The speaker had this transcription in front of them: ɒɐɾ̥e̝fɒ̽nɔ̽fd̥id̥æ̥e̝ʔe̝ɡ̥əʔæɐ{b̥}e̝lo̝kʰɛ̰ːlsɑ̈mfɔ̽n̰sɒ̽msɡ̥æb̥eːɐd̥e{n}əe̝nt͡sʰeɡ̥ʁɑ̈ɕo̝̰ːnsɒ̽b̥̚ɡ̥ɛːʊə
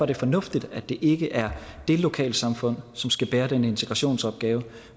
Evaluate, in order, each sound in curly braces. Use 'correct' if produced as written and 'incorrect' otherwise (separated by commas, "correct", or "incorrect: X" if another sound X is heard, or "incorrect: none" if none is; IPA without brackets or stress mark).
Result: incorrect: d̥, correct